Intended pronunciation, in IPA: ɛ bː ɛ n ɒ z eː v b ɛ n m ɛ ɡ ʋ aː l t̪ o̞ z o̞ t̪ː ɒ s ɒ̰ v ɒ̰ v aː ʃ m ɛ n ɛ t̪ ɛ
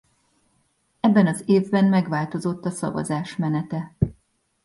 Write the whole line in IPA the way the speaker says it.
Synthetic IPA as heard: ɛ bː ɛ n ɒ z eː v b ɛ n m ɛ ɡ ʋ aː l t̪ o̞ z o̞ t̪ː ɒ s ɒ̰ v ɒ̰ z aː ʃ m ɛ n ɛ t̪ ɛ